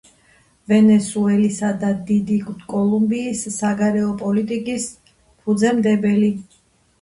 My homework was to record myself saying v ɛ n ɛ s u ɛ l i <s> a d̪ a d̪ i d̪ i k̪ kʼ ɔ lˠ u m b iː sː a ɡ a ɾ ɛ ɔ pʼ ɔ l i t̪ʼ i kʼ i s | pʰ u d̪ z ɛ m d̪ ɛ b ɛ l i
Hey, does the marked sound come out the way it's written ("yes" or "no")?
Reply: yes